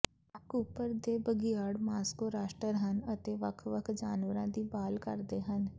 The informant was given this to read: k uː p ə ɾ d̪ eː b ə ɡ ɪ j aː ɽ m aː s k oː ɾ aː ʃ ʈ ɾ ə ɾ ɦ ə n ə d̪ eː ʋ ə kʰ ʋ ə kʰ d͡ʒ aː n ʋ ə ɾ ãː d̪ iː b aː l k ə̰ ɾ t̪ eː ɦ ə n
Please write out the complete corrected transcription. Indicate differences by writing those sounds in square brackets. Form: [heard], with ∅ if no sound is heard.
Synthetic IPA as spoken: k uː p ə ɾ d̪ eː b ə ɡ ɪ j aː ɽ m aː s k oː ɾ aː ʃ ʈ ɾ ə ɾ ɦ ə n ə [t̪] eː ʋ ə kʰ ʋ ə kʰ d͡ʒ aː n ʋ ə ɾ ãː d̪ iː b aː l k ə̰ ɾ [d̪] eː ɦ ə n